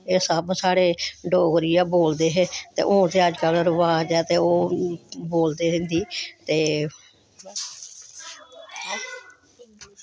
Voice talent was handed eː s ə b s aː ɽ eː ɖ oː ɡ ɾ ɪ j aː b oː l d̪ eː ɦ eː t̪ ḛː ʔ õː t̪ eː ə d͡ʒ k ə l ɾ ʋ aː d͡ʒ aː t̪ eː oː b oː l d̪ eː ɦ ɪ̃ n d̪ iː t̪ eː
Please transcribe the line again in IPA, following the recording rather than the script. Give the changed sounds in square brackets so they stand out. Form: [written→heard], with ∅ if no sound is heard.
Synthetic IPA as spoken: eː s ə b s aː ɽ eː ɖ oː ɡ ɾ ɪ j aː b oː l d̪ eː ɦ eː t̪ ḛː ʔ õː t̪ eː ə d͡ʒ k ə l ɾ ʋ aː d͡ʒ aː t̪ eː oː b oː l d̪ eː ɦ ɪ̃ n d̪ iː t̪ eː